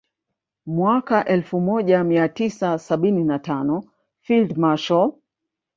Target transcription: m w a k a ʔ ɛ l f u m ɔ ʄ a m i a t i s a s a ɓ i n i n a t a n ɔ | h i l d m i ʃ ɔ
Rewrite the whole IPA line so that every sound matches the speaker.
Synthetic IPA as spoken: m w a k a ʔ ɛ l f u m ɔ ʄ a m i a t i s a s a ɓ i n i n a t a n ɔ | f i l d m a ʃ ɔ

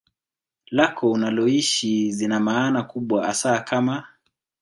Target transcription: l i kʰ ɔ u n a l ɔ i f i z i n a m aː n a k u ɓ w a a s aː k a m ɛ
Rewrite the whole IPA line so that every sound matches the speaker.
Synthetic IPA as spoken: l a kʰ ɔ u n a l ɔ i ʃ i z i n a m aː n a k u ɓ w a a s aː k a m a

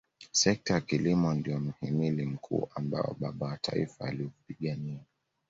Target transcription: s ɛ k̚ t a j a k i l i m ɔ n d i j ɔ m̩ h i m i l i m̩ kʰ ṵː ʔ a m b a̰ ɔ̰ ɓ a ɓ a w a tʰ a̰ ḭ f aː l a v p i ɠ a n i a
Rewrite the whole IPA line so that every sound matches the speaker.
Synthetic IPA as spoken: s ɛ k̚ t a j a k i l i m ɔ n d i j ɔ m̩ h i m i l i m̩ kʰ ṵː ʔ a m b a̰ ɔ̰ ɓ a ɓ a w a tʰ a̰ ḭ f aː l i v p i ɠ a n i a

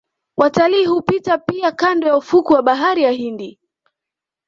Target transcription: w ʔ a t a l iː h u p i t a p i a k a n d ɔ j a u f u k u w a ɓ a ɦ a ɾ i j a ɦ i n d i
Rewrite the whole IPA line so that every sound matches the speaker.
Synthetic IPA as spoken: w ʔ a t a l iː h u p i t a p i a k a n d ɔ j a u f u k u w a ɓ a ɦ a ɾ i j a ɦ i n d i

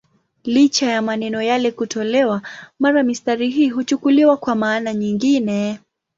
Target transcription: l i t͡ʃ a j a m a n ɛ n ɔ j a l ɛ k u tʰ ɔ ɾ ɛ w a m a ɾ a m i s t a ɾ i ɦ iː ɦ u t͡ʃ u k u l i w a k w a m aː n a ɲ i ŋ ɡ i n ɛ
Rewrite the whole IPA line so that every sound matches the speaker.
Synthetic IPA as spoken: l i t͡ʃ a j a m a n ɛ n ɔ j a l ɛ k u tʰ ɔ l ɛ w a m a ɾ a m i s t a ɾ i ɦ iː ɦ u t͡ʃ u k u l i w a k w a m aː n a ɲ i ŋ ɡ i n ɛ

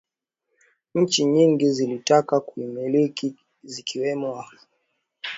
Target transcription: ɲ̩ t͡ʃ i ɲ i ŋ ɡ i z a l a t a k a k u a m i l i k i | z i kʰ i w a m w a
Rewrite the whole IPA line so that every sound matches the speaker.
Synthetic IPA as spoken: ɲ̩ t͡ʃ i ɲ i ŋ ɡ i z i l i t a k a k u i m i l i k i | z i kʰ i w ɛ m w a

